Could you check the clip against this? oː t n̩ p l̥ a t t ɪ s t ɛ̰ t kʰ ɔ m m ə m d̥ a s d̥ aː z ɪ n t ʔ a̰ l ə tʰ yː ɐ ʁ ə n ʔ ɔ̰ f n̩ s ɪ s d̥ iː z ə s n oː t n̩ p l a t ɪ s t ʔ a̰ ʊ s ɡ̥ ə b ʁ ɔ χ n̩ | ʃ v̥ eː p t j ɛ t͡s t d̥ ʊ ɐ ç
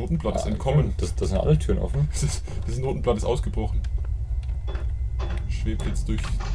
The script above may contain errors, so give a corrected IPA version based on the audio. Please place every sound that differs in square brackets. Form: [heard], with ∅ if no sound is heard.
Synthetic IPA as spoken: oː t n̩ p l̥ a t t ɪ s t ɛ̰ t kʰ ɔ m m ə [n] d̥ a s d̥ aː z ɪ n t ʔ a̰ l ə tʰ yː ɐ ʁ ə n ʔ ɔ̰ f n̩ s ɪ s d̥ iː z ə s n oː t n̩ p l a t ɪ s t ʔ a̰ ʊ s ɡ̥ ə b ʁ ɔ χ n̩ | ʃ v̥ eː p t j ɛ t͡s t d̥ ʊ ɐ ç